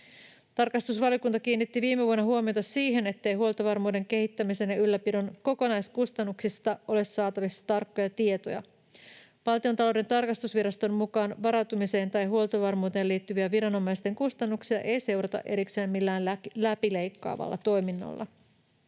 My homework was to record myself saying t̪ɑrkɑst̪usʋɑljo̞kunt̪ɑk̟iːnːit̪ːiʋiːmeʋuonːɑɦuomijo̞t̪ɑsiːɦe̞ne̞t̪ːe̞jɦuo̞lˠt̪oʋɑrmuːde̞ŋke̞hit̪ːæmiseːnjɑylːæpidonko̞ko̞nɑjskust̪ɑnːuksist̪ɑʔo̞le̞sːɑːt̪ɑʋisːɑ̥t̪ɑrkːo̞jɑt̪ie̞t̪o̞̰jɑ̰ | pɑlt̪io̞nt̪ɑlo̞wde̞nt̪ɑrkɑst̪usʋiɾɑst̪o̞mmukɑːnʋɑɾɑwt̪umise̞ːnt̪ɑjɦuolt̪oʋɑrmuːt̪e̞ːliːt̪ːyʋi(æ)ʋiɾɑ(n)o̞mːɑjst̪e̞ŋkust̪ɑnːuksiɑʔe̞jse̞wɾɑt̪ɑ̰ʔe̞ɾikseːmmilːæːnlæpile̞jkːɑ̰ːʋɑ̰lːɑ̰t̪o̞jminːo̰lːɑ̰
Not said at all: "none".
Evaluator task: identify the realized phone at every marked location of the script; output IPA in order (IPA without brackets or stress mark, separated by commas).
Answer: æ, n